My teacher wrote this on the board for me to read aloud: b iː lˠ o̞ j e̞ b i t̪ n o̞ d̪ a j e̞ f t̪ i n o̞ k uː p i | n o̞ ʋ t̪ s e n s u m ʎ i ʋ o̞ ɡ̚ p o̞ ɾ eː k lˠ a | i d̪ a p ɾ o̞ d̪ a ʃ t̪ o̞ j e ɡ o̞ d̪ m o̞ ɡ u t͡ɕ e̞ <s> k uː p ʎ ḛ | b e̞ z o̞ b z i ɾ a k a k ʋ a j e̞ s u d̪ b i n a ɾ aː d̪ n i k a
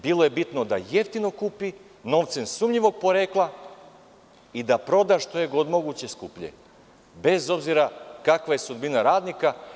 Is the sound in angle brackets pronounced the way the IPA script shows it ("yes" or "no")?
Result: yes